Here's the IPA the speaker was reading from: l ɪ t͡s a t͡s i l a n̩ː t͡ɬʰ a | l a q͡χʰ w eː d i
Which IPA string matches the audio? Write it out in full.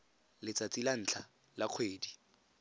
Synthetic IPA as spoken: l ɪ t͡s a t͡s i l a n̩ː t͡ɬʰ a | l a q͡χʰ w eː d i